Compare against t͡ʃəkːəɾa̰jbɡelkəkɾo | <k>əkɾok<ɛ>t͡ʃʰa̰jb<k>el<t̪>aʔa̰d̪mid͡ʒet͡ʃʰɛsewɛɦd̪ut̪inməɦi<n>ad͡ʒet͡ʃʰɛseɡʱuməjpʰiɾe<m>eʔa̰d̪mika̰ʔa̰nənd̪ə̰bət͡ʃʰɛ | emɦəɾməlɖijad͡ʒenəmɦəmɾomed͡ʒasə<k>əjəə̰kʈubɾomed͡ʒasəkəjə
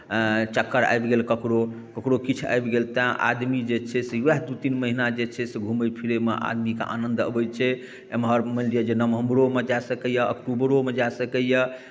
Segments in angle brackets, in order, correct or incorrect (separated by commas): correct, incorrect, incorrect, correct, correct, correct, correct